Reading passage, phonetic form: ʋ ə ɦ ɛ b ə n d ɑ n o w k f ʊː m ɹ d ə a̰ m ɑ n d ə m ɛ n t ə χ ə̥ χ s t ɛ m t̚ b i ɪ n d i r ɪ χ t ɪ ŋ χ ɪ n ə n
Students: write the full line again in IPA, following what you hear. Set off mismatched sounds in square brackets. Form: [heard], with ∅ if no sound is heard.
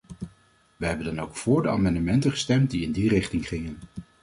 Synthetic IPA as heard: ʋ ə ɦ ɛ b ə n d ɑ n o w k f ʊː [∅] ɹ d ə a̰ m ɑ n d ə m ɛ n t ə χ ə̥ [∅] s t ɛ m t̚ [d] i ɪ n d i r ɪ χ t ɪ ŋ χ ɪ [ŋ] ə n

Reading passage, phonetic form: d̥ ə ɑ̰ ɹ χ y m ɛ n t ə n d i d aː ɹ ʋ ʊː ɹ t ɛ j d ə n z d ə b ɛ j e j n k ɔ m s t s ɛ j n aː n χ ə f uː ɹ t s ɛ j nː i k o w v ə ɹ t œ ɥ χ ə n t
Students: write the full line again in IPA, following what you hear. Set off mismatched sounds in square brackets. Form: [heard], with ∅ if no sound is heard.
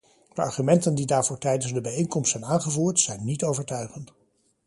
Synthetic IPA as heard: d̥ ə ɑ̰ ɹ χ y m ɛ n t ə n d i d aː ɹ [v] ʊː ɹ t ɛ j d ə n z d ə b ɛ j e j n k ɔ m s t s ɛ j n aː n χ ə [v] uː ɹ t s ɛ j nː i [t] o w v ə ɹ t œ ɥ χ ə n t

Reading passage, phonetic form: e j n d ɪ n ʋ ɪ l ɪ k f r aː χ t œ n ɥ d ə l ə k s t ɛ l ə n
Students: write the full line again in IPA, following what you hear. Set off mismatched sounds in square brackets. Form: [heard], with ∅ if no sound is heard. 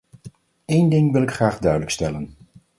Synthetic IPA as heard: e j n d ɪ [ŋ] ʋ ɪ l ɪ k [χ] r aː χ [d] œ [∅] ɥ d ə l ə k s t ɛ l ə n

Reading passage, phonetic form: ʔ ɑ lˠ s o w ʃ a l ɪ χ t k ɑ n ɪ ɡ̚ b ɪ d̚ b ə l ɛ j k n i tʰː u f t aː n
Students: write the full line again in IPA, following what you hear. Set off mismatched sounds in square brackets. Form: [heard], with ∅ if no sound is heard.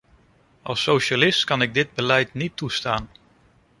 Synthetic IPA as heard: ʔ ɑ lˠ s o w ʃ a l ɪ [s] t k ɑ n ɪ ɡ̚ [d] ɪ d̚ b ə l ɛ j [t] n i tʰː u [s] t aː n

